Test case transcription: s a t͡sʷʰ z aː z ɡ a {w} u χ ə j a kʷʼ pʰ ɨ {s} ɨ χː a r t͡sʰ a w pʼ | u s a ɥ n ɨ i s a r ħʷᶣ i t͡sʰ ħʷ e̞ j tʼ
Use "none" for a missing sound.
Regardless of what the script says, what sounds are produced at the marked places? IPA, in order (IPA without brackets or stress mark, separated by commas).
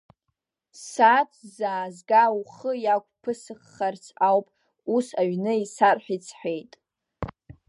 w, s